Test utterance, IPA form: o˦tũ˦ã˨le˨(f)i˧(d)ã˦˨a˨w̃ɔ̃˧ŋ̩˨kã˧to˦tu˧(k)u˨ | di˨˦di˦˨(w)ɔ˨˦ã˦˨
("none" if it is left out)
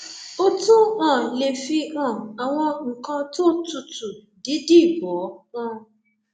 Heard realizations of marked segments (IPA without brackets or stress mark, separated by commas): f, none, t, b